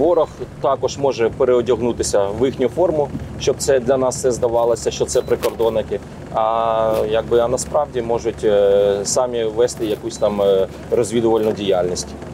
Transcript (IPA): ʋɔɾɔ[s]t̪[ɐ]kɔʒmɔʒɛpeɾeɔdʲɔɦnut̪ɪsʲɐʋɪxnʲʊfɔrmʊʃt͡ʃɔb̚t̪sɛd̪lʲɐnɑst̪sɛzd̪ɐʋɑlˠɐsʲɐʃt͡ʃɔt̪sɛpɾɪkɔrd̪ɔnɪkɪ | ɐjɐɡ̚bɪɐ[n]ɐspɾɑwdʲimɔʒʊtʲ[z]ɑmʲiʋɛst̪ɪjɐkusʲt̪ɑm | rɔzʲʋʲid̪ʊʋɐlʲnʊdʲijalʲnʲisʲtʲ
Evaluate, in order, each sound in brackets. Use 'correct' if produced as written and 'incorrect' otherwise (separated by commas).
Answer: incorrect, incorrect, correct, incorrect